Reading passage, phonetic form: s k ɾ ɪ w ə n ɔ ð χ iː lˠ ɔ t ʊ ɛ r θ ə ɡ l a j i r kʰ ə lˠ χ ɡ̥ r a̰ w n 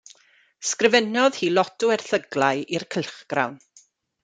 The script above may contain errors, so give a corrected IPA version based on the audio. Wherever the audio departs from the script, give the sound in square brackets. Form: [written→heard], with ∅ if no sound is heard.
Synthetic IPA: s k [ɾ→r] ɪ [w→v] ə n ɔ ð [χ→h] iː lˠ ɔ t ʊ ɛ r θ ə ɡ l a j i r kʰ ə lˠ χ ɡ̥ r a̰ w n

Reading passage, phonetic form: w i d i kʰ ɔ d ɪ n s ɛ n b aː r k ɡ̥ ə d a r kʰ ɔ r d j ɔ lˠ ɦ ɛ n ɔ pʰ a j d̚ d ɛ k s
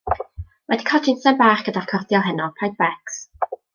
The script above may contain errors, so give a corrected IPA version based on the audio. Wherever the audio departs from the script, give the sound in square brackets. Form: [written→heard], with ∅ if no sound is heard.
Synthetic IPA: w [i→ɛ] d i kʰ ɔ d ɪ n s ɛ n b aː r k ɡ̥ ə d a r kʰ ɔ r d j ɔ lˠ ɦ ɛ n ɔ pʰ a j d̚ [d→b] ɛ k s

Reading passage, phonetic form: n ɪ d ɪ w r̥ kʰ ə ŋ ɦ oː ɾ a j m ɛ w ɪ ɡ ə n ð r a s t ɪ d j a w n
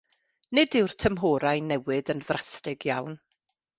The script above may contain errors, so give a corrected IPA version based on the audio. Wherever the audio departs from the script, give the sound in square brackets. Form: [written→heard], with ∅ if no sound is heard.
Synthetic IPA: n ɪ d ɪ w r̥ [kʰ→tʰ] ə [ŋ→m] ɦ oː ɾ a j [m→n] ɛ w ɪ [ɡ→d] ə n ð r a s t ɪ [d→ɡ] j a w n

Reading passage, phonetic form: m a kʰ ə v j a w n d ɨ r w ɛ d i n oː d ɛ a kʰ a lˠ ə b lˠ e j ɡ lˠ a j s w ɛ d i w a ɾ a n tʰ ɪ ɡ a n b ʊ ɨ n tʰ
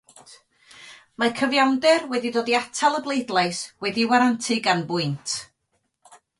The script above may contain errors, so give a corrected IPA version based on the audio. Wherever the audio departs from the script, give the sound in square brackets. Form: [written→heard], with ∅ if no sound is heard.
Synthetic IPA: m a kʰ ə v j a w n d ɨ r w ɛ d i [n→d] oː d [ɛ→i] a [kʰ→tʰ] a lˠ ə b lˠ e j [ɡ→d] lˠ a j s w ɛ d i w a ɾ a n tʰ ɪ ɡ a n b ʊ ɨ n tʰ

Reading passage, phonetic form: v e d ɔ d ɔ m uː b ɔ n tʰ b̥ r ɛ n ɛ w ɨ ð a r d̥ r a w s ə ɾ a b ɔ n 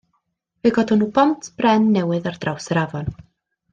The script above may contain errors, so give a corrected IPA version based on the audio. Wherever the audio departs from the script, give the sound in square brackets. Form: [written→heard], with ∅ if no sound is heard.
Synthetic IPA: v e [d→ɡ] ɔ d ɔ [m→n] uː b ɔ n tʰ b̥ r ɛ [n→nː] ɛ w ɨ ð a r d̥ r a w s ə ɾ a [b→v] ɔ n

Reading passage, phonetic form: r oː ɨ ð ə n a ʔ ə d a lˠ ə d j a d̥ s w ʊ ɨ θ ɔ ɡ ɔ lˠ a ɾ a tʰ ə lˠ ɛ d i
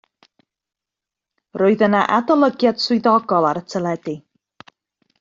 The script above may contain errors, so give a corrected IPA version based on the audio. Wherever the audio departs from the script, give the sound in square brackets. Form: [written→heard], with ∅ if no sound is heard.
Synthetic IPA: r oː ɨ ð ə n a ʔ [ə→a] d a lˠ ə [d→ɡ] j a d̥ s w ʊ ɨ [θ→ð] ɔ ɡ ɔ lˠ a ɾ [a→ə] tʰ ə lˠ ɛ d i

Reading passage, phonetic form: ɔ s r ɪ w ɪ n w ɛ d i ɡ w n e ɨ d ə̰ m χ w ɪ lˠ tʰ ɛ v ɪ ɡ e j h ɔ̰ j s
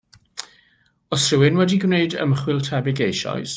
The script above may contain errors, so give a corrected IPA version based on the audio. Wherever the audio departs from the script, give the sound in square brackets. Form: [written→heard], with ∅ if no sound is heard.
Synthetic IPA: ɔ s r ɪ w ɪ n w ɛ d i ɡ w n e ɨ d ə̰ m χ w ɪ lˠ tʰ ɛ [v→b] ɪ ɡ e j [h→ʃ] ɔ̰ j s

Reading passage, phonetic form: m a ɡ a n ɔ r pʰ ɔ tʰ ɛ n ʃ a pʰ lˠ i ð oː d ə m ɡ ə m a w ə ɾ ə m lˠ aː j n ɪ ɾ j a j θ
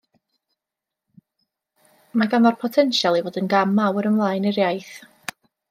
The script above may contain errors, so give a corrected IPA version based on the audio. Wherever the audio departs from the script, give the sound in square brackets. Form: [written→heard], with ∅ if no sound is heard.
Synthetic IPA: m a ɡ a n ɔ r pʰ ɔ tʰ ɛ n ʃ a [pʰ→∅] lˠ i [ð→v] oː d ə [m→n] ɡ [ə→a] m a w ə ɾ ə m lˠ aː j n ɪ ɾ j a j θ

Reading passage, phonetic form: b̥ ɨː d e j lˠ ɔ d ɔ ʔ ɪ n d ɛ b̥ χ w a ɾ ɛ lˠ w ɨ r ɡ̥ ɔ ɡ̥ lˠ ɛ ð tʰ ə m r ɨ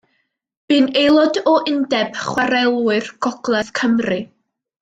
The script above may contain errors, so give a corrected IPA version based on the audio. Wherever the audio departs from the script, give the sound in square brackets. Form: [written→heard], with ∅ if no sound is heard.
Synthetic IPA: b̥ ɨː [d→n] e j lˠ ɔ d ɔ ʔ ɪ n d ɛ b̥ χ w a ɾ ɛ lˠ w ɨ r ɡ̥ ɔ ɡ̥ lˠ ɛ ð [tʰ→kʰ] ə m r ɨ

